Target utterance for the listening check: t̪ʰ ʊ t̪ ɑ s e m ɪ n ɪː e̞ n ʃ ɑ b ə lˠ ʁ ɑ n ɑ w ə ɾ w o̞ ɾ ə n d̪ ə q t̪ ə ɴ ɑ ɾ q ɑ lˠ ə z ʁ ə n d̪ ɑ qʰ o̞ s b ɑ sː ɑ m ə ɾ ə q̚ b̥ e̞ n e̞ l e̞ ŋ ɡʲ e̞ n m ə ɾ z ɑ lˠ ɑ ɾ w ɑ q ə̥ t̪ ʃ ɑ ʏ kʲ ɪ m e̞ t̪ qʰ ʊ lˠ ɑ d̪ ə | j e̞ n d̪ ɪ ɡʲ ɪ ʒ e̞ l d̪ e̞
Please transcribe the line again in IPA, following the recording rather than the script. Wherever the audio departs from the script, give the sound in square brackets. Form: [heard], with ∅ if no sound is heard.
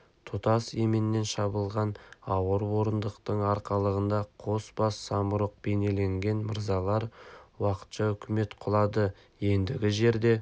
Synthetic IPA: t̪ʰ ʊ t̪ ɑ s e m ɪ n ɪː e̞ n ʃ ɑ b ə lˠ ʁ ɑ n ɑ w ə ɾ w o̞ ɾ ə n d̪ ə q t̪ ə ɴ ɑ ɾ q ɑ lˠ ə [∅] ʁ ə n d̪ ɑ qʰ o̞ s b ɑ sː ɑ m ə ɾ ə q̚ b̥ e̞ n e̞ l e̞ ŋ ɡʲ e̞ n m ə ɾ z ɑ lˠ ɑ ɾ w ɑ q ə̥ t̪ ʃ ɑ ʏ kʲ ɪ m e̞ t̪ qʰ ʊ lˠ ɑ d̪ ə | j e̞ n d̪ ɪ ɡʲ ɪ ʒ e̞ [ɾ] d̪ e̞